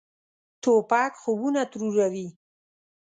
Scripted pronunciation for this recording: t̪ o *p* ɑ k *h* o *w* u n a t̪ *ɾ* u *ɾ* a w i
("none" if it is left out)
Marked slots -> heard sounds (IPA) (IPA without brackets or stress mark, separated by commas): p, x, b, ɾ, ɾ